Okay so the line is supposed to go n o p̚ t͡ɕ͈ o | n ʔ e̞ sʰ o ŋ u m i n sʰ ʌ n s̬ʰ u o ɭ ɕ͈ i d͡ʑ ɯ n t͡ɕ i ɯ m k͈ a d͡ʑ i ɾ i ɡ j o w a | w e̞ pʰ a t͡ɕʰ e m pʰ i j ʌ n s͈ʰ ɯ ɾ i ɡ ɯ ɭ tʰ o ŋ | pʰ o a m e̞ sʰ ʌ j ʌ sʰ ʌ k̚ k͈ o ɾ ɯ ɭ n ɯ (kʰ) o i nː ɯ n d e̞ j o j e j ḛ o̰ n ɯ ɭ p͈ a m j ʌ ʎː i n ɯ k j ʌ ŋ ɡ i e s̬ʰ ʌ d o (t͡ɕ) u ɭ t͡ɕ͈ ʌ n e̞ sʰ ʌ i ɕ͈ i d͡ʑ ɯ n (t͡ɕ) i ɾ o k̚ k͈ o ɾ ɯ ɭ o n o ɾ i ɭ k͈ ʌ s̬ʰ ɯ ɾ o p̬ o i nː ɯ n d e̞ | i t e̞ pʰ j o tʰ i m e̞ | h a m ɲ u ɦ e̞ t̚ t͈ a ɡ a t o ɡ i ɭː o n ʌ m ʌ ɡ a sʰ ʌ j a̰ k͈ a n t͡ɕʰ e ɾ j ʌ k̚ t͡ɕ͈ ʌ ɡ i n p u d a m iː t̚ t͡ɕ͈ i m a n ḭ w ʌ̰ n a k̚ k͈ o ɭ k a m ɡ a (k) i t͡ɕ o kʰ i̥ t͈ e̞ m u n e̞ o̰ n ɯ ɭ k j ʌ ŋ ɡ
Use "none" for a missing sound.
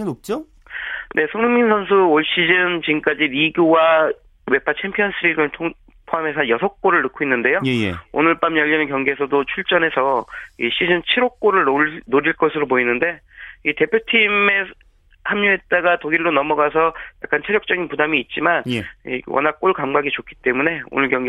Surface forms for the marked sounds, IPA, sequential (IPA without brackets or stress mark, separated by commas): kʰ, t͡ɕʰ, t͡ɕʰ, ɡ